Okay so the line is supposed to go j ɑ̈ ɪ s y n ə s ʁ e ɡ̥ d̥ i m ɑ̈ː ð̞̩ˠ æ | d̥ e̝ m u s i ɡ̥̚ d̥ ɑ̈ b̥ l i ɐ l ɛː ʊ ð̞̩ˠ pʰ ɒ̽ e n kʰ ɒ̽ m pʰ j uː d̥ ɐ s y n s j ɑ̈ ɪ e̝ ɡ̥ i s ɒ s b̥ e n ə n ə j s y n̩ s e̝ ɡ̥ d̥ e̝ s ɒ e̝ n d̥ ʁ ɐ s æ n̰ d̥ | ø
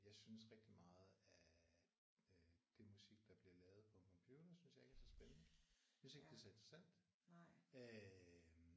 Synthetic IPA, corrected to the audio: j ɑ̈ ɪ s y n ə s ʁ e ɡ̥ d̥ i m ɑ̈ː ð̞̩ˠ æ | d̥ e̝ m u s i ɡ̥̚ d̥ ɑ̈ b̥ l i ɐ l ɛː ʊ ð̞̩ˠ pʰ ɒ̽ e n kʰ ɒ̽ m pʰ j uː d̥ ɐ s y n s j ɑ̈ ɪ e̝ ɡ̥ æ s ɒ s b̥ e n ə n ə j s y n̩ s e̝ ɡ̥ d̥ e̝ s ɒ e̝ n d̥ ʁ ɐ s æ n̰ d̥ | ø